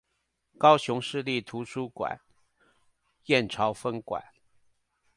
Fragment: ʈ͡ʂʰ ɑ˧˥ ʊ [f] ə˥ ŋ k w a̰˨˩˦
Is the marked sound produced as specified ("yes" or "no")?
yes